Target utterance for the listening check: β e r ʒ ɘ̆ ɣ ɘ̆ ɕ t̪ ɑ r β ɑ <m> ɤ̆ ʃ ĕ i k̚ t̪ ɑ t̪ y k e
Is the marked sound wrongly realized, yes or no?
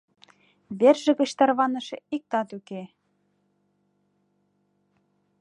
yes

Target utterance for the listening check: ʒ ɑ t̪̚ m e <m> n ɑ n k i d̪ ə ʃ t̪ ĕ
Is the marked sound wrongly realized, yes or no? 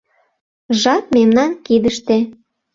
no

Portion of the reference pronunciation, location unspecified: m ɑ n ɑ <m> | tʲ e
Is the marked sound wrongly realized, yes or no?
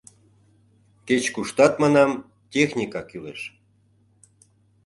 no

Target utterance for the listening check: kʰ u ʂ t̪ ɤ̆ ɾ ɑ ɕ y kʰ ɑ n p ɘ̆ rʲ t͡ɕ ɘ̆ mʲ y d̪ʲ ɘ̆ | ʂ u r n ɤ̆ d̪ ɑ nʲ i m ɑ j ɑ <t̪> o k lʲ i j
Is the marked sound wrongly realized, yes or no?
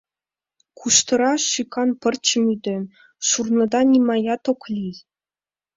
no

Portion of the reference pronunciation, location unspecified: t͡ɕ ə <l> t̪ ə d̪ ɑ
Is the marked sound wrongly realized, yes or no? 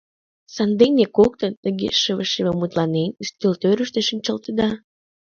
no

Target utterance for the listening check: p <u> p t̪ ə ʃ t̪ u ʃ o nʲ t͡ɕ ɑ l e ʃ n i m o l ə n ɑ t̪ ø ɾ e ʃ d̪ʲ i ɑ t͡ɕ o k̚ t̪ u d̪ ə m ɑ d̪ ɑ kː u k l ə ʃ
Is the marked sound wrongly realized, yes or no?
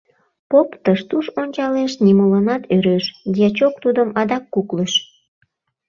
yes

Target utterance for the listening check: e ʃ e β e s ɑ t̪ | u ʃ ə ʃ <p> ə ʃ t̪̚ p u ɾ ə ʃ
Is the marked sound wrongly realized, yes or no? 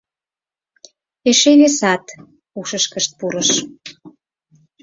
yes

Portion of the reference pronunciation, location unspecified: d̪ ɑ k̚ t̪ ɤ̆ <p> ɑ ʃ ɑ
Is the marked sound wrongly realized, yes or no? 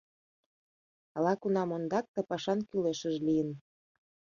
no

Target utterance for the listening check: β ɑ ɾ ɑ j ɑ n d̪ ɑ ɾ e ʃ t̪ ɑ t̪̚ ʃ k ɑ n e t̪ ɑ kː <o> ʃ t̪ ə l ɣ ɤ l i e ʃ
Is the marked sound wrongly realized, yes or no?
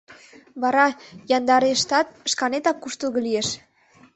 yes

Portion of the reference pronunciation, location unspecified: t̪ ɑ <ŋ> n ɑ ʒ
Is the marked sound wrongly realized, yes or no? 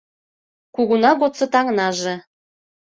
no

